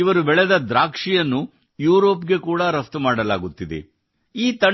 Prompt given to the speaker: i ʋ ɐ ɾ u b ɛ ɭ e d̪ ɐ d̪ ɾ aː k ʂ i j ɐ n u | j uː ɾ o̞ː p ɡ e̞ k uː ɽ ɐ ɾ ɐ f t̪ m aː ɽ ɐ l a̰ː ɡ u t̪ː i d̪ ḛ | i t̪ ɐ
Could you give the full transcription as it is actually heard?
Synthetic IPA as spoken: i ʋ ɐ ɾ u b ɛ ɭ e d̪ ɐ d̪ ɾ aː k ʂ i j ɐ nː u | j uː ɾ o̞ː p ɡ e̞ k uː ɽ ɐ ɾ ɐ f t̪ m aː ɽ ɐ l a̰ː ɡ u t̪ː i d̪ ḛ | iː t̪ ɐ